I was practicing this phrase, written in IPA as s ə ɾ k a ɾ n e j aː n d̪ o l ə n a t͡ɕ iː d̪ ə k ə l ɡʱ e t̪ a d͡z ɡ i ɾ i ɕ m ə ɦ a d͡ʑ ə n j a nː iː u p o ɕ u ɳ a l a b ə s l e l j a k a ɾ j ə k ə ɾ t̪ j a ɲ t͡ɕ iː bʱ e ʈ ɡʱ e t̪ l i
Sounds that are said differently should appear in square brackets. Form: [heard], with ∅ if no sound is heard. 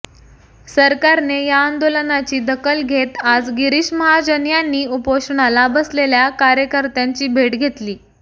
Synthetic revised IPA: s ə ɾ k a ɾ n e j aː n d̪ o l ə n a t͡ɕ iː d̪ ə k ə l ɡʱ e t̪ a d͡z ɡ i ɾ i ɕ m ə ɦ a d͡ʑ ə n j a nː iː u p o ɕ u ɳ a l a b ə s l e l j a k a ɾ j ə k ə ɾ t̪ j a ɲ t͡ɕ iː bʱ e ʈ ɡʱ e t̪ l [iː]

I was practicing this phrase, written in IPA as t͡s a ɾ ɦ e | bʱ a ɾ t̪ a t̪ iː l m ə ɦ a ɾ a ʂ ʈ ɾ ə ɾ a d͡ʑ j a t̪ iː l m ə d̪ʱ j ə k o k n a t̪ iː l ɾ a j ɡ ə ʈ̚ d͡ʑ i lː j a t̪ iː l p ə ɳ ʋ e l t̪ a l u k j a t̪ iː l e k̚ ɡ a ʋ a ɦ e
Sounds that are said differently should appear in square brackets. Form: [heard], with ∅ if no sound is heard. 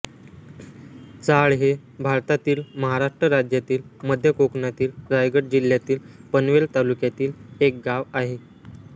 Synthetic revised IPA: t͡s a [ɭ] ɦ e | bʱ a ɾ t̪ a t̪ iː l m ə ɦ a ɾ a ʂ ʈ ɾ ə ɾ a d͡ʑ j a t̪ iː l m ə d̪ʱ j ə k o k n a t̪ iː l ɾ a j ɡ ə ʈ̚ d͡ʑ i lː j a t̪ iː l p ə [n] ʋ e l t̪ a l u k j a t̪ iː l e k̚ ɡ a ʋ a ɦ e

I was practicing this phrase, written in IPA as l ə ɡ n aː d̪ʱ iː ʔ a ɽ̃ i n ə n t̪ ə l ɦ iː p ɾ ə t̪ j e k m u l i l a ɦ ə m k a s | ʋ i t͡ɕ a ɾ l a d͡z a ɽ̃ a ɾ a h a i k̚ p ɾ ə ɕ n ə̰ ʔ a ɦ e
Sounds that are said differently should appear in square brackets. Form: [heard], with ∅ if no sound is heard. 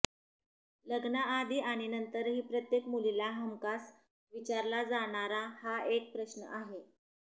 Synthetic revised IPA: l ə ɡ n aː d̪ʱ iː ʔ a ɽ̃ i n ə n t̪ ə [ɾ] ɦ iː p ɾ ə t̪ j e k m u l i l a ɦ ə m k a s | ʋ i t͡ɕ a ɾ l a d͡z a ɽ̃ a ɾ a h a [e] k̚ p ɾ ə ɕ n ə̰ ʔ a ɦ e

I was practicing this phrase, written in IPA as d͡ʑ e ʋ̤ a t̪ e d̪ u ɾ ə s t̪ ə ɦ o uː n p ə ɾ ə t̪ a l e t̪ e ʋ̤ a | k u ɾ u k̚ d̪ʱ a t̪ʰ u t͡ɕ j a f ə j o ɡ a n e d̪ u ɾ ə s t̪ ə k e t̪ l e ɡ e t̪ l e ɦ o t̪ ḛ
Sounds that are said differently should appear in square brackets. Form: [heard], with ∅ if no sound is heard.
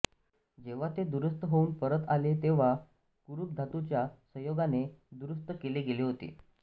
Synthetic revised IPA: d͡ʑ e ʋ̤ a t̪ e d̪ u ɾ ə s t̪ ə ɦ o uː n p ə ɾ ə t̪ a l e t̪ e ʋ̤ a | k u ɾ u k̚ d̪ʱ a [t̪] u t͡ɕ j a [s] ə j o ɡ a n e d̪ u ɾ ə s t̪ ə k e [∅] l e ɡ e [∅] l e ɦ o t̪ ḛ

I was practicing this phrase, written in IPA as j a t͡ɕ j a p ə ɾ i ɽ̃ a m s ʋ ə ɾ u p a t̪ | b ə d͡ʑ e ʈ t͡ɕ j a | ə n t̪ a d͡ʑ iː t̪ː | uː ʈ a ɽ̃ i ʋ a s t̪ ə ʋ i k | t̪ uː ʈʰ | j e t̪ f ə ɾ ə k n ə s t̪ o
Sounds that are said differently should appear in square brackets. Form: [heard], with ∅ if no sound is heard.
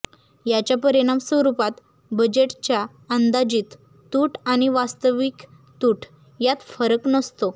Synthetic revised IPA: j a t͡ɕ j a p ə ɾ i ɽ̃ a m s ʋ ə ɾ u p a t̪ | b ə d͡ʑ e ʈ t͡ɕ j a | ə n [d̪] a d͡ʑ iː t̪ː | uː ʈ a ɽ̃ i ʋ a s t̪ ə ʋ i k | t̪ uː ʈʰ | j [a] t̪ f ə ɾ ə k n ə s t̪ o

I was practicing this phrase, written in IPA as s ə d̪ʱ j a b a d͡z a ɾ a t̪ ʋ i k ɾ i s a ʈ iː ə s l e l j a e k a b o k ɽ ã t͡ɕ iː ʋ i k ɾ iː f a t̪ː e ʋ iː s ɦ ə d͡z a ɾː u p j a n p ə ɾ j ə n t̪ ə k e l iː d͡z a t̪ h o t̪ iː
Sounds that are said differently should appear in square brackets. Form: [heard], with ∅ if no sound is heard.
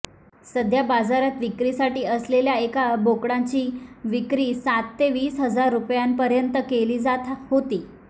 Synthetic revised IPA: s ə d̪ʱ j a b a d͡z a ɾ a t̪ ʋ i k ɾ i s a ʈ iː ə s l e l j a e k a b o k ɽ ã t͡ɕ iː ʋ i k ɾ iː [s] a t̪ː e ʋ iː s ɦ ə d͡z a ɾː u p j a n p ə ɾ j ə n t̪ ə k e l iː d͡z a t̪ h o t̪ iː

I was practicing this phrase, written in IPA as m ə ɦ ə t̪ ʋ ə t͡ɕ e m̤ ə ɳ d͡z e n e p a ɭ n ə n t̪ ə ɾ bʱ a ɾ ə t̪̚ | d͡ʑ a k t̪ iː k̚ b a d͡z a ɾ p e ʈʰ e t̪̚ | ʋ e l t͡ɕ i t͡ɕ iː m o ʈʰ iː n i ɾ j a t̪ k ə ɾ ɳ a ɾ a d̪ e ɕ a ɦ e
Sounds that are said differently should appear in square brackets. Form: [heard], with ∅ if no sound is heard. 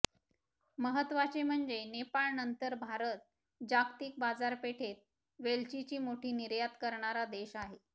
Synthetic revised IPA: m ə ɦ ə t̪ ʋ [a] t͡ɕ e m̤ ə ɳ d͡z e n e p a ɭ n ə n t̪ ə ɾ bʱ a ɾ ə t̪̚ | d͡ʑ a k t̪ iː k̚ b a d͡z a ɾ p e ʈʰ e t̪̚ | ʋ e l t͡ɕ i t͡ɕ iː m o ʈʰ iː n i ɾ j a t̪ k ə ɾ ɳ a ɾ a d̪ e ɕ a ɦ e

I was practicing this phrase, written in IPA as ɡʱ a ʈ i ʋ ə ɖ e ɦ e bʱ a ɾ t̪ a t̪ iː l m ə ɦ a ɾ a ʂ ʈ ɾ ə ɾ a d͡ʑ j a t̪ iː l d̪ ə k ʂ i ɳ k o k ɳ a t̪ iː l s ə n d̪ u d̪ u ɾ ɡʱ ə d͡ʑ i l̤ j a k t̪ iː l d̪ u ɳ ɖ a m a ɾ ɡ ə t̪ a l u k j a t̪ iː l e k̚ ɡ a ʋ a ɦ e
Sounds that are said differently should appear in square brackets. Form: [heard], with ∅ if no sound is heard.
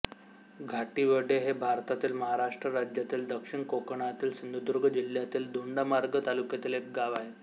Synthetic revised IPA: ɡʱ a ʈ i ʋ ə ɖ e ɦ e bʱ a ɾ t̪ a t̪ iː l m ə ɦ a ɾ a ʂ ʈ ɾ ə ɾ a d͡ʑ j a t̪ iː l d̪ ə k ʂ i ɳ k o k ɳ a t̪ iː l s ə n d̪ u d̪ u ɾ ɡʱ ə d͡ʑ i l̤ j a [∅] t̪ iː l d̪ u ɳ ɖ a m a ɾ ɡ ə t̪ a l u k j a t̪ iː l e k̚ ɡ a ʋ a ɦ e

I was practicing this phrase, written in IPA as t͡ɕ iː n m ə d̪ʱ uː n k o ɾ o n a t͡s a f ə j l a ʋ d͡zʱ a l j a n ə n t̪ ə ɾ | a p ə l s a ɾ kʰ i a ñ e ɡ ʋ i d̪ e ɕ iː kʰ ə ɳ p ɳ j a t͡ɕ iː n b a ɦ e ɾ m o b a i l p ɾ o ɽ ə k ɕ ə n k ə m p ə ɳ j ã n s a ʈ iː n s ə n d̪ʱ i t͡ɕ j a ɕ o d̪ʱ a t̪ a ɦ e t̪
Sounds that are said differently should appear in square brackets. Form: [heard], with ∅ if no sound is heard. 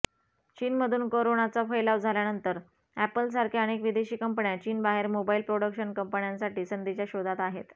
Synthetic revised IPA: t͡ɕ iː n m ə d̪ʱ uː n k o ɾ o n a t͡s a f ə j l a ʋ d͡zʱ a l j a n ə n t̪ ə ɾ | [æ] p ə l s a ɾ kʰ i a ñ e [k] ʋ i d̪ e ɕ iː [k] ə [m] p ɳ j a t͡ɕ iː n b a ɦ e ɾ m o b a i l p ɾ o ɽ ə k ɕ ə n k ə m p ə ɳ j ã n s a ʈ iː [∅] s ə n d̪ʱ i t͡ɕ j a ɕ o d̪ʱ a t̪ a ɦ e t̪

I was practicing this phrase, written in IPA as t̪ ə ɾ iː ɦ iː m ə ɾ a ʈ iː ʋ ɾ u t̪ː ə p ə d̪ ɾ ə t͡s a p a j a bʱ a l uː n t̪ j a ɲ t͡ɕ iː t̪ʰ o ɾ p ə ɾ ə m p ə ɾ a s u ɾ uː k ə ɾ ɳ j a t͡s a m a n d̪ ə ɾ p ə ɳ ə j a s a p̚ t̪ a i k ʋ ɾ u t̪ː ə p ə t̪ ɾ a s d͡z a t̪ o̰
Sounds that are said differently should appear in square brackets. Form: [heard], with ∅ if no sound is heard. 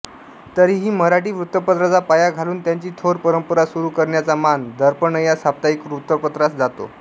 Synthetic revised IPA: t̪ ə ɾ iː ɦ iː m ə ɾ a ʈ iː ʋ ɾ u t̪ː ə p ə [t̪] ɾ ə t͡s a p a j a [ɡʱ] a l uː n t̪ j a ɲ t͡ɕ iː t̪ʰ o ɾ p ə ɾ ə m p ə ɾ a s u ɾ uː k ə ɾ ɳ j a t͡s a m a n d̪ ə ɾ p ə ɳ ə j a s a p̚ t̪ a i k ʋ ɾ u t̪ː ə p ə t̪ ɾ a s d͡z a t̪ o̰

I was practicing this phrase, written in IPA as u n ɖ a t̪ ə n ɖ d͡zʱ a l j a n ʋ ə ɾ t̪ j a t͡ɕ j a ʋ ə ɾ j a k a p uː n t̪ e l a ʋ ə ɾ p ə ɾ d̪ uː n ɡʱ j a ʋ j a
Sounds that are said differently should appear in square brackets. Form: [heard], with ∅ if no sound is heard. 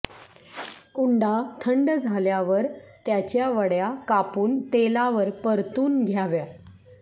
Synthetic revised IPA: u [ɳ] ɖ a [t̪ʰ] ə [ɳ] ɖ d͡zʱ a l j a [∅] ʋ ə ɾ t̪ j a t͡ɕ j a ʋ ə [ɽ] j a k a p uː n t̪ e l a ʋ ə ɾ p ə ɾ [t̪] uː n ɡʱ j a ʋ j a

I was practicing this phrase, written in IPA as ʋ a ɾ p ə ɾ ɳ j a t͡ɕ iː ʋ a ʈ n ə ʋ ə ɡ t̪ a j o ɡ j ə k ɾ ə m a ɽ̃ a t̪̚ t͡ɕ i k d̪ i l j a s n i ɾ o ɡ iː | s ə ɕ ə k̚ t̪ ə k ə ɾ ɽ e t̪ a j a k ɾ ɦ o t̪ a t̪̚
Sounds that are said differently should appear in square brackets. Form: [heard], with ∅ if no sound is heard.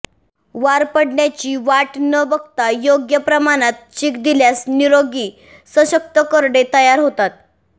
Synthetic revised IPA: ʋ a ɾ p ə [ɽ] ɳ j a t͡ɕ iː ʋ a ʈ n ə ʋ ə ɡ t̪ a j o ɡ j ə [p] ɾ ə m a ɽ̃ a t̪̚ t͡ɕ i k d̪ i l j a s n i ɾ o ɡ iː | s ə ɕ ə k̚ t̪ ə k ə ɾ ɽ e t̪ [ə] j a [∅] ɾ ɦ o t̪ a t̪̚

